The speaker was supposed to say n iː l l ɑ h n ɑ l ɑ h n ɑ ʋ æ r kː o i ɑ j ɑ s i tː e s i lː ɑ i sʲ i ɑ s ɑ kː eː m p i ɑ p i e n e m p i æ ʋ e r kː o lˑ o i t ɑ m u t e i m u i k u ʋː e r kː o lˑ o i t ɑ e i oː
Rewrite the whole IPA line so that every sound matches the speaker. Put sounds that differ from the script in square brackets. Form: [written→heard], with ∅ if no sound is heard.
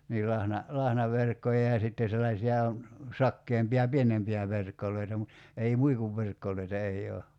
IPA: n iː l l ɑ h n ɑ l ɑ h n ɑ ʋ [æ→e] r kː o [i→j] ɑ j ɑ s i tː e s [i→e] lː ɑ i sʲ i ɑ s ɑ kː eː m p i ɑ p i e n e m p i æ ʋ e r kː o lˑ o i t ɑ m u t e i m u i k u ʋː e r kː o lˑ o i t ɑ e i oː